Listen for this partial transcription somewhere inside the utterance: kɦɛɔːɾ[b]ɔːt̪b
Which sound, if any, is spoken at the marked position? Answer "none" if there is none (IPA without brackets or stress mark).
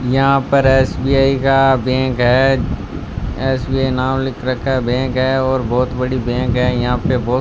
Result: b